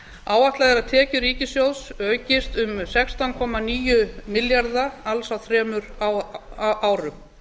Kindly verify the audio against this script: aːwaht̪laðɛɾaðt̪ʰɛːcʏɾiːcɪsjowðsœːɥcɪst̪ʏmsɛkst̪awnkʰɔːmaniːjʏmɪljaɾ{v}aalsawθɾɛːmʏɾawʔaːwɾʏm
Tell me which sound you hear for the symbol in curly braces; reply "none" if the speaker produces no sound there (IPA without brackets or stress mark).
ð